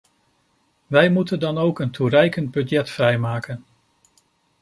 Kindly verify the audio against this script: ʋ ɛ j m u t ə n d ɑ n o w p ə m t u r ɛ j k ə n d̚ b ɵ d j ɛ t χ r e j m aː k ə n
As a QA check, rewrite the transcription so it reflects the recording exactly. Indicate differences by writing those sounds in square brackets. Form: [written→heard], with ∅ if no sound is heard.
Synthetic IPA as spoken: ʋ ɛ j m u t ə n d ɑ n o w [p→k] ə [m→n] t u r ɛ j k ə n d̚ b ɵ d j ɛ t [χ→f] r [e→ɛ] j m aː k ə n